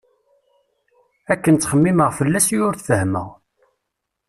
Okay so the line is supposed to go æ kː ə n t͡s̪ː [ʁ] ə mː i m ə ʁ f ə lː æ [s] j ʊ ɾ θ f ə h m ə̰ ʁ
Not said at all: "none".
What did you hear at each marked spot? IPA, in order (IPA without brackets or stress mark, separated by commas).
χ, s